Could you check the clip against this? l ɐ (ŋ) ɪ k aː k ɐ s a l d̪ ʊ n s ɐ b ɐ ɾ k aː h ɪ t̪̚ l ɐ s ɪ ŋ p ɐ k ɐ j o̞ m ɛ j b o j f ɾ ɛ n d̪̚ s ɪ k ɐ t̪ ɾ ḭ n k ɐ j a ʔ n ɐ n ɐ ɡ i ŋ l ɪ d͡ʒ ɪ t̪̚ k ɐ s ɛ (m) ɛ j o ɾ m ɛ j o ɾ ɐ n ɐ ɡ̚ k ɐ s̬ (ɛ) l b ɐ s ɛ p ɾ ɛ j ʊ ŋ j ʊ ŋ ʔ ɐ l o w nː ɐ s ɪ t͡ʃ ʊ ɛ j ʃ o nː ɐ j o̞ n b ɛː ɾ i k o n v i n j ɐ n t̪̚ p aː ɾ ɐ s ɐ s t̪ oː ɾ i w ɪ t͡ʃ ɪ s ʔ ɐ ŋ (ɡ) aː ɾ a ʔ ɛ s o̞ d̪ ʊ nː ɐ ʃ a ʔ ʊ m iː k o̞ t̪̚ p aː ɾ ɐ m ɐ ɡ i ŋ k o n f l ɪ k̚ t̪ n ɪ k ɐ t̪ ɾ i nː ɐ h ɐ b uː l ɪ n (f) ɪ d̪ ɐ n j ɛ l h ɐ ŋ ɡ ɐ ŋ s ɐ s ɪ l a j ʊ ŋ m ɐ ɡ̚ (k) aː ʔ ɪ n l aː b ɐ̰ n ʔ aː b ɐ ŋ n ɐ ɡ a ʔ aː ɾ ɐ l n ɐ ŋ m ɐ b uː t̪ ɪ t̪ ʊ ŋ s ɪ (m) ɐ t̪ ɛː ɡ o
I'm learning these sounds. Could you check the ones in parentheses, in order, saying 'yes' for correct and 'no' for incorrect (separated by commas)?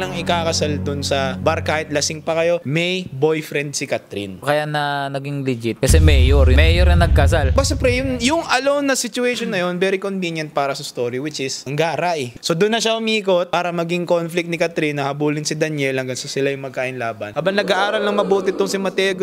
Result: yes, yes, no, yes, no, yes, yes